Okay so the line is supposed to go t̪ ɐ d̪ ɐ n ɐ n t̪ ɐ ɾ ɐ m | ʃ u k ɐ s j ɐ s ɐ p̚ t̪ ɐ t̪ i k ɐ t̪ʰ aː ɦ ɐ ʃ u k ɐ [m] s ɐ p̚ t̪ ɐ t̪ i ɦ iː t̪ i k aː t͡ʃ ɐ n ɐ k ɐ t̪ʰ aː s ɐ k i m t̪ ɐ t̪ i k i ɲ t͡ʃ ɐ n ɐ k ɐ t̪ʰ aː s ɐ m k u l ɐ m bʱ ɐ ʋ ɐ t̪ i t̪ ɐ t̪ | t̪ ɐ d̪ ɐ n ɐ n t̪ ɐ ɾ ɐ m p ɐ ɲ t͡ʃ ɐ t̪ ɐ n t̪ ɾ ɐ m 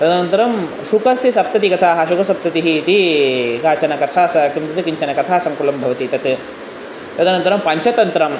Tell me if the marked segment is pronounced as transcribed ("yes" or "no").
no